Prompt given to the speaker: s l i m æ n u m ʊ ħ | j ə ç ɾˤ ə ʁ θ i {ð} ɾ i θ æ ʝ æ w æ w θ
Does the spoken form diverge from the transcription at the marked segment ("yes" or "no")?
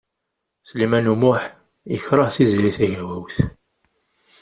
yes